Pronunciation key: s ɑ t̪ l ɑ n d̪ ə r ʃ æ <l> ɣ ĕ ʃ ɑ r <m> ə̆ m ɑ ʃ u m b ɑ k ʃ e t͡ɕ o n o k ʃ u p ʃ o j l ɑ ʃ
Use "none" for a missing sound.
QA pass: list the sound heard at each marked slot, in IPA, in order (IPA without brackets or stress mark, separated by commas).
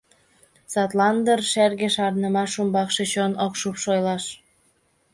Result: r, n